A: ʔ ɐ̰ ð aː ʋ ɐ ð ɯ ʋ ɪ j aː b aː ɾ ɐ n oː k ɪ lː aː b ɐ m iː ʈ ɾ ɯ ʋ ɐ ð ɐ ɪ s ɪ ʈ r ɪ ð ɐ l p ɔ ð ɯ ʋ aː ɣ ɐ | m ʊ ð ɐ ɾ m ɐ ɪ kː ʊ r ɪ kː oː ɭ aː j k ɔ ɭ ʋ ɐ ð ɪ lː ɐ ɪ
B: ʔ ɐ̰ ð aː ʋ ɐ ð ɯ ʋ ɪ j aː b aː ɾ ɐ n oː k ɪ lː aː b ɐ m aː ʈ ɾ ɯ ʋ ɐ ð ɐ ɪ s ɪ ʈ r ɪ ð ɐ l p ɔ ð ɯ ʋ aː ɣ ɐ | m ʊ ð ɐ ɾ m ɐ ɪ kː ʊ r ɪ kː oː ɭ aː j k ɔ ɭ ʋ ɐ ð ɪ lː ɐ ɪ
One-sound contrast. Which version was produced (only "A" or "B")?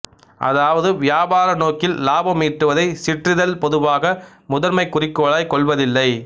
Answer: A